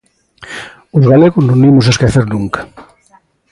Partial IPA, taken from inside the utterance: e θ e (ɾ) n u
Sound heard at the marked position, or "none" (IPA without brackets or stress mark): ɾ